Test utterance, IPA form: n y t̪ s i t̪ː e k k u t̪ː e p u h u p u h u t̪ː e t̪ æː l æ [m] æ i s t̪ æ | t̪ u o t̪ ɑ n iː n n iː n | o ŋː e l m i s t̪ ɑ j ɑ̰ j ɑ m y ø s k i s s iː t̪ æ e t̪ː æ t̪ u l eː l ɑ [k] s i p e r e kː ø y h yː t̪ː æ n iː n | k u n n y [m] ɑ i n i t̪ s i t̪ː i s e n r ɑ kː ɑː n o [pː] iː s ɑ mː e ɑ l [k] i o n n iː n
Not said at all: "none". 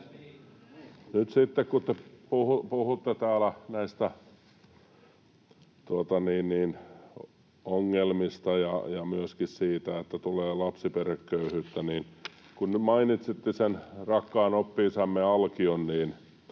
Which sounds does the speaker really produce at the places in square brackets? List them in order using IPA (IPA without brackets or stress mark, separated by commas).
n, p, m, pː, k